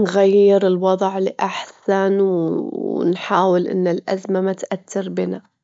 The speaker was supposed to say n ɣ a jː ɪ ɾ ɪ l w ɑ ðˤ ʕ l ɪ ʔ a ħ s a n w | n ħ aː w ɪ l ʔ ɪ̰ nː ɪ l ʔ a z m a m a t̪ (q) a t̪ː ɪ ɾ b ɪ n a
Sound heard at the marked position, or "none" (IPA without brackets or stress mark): ʔ